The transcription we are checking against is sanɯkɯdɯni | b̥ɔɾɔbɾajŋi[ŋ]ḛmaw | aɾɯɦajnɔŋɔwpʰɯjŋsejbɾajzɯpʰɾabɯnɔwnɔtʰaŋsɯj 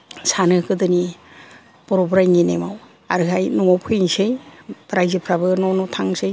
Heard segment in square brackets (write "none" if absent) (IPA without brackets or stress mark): n